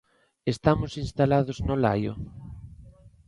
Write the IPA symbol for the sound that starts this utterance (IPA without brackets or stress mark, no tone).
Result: e